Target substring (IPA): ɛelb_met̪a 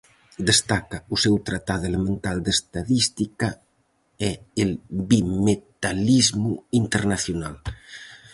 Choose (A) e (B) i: B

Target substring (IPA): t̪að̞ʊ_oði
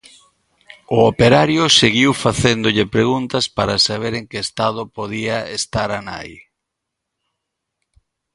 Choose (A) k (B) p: B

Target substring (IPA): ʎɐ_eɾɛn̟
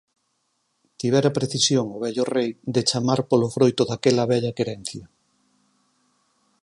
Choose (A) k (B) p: A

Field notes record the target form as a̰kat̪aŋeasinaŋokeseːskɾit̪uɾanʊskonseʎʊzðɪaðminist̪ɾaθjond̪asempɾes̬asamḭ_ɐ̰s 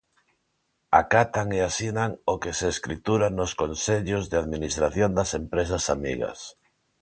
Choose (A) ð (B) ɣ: B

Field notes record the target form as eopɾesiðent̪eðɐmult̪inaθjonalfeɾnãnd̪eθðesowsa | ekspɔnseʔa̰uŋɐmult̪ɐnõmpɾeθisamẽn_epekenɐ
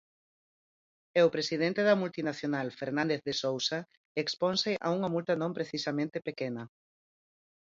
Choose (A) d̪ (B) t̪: B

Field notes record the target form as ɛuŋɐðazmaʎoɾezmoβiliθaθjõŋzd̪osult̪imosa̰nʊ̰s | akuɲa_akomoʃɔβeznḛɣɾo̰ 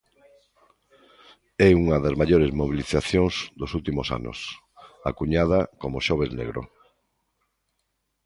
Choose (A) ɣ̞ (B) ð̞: B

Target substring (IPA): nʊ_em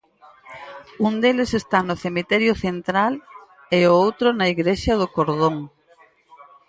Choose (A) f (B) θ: B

